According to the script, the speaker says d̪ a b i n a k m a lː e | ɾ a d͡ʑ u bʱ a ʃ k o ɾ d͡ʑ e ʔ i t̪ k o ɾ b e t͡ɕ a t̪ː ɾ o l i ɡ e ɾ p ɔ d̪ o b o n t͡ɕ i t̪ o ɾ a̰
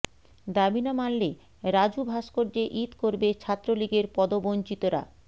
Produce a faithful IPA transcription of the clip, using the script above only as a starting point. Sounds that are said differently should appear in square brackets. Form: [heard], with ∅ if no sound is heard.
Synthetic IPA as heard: d̪ a b i n a [∅] m a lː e | ɾ a d͡ʑ u bʱ a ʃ k o ɾ d͡ʑ e ʔ i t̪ k o ɾ b e [t͡ɕʰ] a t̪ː ɾ o l i ɡ e ɾ p ɔ d̪ o b o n t͡ɕ i t̪ o ɾ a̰